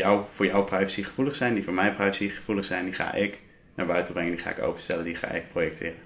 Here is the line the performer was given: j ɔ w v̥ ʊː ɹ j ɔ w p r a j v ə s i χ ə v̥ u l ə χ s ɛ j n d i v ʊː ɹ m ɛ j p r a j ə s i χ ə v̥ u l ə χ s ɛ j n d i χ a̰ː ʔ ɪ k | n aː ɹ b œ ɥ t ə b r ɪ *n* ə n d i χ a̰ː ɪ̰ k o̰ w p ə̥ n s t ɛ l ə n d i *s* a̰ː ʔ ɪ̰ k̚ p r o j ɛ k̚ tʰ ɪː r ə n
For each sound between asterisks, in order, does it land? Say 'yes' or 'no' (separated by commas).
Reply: no, no